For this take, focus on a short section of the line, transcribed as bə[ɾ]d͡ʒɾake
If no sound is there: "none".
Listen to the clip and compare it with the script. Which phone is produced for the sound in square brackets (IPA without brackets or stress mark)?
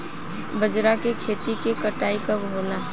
none